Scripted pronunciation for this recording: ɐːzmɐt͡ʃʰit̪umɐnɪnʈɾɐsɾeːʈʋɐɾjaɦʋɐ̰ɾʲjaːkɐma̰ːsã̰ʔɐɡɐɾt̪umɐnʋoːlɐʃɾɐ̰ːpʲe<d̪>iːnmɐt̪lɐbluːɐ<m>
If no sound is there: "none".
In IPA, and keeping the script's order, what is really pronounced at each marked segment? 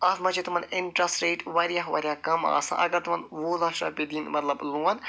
d̪, n

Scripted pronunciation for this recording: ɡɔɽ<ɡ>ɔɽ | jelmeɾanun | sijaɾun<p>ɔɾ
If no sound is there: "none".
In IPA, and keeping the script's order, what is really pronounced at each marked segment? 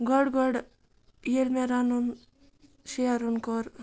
ɡ, k

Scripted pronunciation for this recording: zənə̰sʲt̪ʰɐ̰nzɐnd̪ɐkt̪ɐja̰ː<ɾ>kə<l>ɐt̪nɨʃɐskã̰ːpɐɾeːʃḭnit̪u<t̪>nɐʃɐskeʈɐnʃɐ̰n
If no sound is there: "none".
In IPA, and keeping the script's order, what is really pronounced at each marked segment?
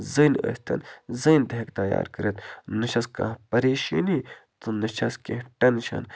ɾ, ɾ, none

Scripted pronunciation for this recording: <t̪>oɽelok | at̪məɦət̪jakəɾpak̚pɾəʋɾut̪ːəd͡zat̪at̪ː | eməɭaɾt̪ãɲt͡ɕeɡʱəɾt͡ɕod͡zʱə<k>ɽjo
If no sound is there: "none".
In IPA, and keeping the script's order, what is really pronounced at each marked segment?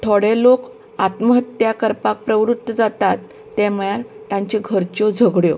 t̪ʰ, ɡ

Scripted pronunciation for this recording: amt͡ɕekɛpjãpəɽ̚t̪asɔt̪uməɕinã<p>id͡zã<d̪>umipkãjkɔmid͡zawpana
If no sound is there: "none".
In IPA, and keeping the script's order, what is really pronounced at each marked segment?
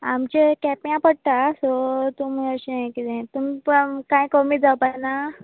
k, t̪

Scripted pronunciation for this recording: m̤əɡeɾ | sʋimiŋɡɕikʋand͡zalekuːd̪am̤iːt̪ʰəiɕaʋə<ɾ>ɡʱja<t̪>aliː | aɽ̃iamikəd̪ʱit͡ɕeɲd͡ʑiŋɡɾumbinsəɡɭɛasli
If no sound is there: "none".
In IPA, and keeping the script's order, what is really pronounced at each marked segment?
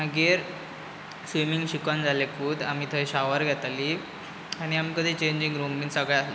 ɾ, t̪

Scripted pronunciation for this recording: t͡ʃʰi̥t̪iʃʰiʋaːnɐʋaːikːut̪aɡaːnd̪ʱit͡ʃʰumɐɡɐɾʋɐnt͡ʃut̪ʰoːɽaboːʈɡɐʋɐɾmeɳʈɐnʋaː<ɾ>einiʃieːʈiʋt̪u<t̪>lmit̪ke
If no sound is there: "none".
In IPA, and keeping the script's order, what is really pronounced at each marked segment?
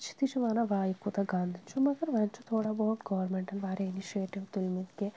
ɾ, none

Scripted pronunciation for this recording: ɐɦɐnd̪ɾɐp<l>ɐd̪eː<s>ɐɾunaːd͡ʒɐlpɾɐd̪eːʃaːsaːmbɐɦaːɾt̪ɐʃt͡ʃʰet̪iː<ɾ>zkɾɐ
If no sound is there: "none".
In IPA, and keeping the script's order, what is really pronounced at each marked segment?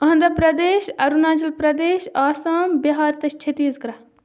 ɾ, ʃ, none

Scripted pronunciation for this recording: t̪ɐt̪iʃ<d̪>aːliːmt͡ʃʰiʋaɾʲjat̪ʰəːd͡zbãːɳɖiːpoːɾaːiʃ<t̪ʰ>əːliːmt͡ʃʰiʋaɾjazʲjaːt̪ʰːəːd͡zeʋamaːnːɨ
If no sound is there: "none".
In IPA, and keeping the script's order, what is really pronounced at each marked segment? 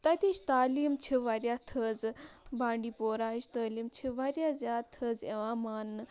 t̪, t̪

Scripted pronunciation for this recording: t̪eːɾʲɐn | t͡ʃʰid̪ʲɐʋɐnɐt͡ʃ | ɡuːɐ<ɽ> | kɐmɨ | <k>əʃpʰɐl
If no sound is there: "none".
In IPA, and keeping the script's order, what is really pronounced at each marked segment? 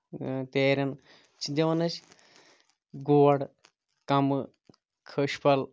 ɽ, kʰ

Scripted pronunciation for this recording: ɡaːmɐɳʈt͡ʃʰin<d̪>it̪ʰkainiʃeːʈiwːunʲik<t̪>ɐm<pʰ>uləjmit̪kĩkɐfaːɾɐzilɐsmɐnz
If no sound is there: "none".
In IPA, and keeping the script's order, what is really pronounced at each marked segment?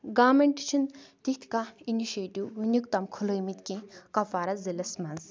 t̪, t̪, kʰ

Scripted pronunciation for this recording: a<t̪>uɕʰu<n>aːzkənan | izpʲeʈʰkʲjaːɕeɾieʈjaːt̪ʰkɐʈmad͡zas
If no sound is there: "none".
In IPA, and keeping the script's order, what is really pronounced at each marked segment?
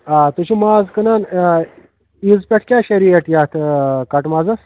t̪, m

